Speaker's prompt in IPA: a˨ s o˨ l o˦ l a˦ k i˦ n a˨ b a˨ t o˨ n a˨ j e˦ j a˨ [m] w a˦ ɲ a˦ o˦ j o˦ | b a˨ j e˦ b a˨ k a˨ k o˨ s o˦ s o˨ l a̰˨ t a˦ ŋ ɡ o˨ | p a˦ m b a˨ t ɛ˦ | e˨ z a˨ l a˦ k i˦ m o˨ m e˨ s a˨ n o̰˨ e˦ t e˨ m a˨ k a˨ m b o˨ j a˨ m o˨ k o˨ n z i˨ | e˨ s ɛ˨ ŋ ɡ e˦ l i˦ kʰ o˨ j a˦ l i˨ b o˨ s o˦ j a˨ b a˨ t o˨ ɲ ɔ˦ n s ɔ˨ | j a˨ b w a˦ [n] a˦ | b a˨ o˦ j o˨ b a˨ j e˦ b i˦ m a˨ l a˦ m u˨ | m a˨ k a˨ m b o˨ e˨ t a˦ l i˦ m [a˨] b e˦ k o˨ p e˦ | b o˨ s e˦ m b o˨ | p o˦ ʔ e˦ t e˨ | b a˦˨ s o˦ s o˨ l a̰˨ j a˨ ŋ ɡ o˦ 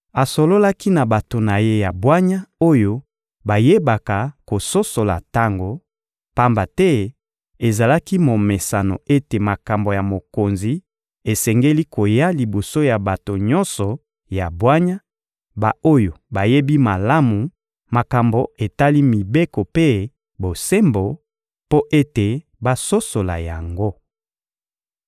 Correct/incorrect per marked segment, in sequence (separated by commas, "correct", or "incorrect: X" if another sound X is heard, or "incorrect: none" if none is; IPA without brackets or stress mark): incorrect: b, incorrect: ɲ, incorrect: i˨